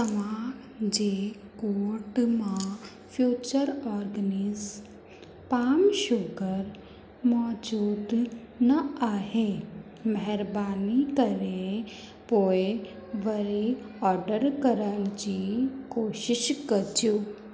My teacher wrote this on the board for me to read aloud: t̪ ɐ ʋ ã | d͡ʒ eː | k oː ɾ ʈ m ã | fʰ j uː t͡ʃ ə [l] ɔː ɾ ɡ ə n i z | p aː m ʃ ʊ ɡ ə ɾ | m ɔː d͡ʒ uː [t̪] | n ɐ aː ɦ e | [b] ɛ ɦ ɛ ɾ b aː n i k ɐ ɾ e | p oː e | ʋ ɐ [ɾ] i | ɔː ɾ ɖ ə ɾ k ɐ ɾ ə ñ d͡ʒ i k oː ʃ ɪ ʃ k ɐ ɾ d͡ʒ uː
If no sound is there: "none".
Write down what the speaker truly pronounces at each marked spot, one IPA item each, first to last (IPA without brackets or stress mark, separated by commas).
ɾ, d̪, m, ɾ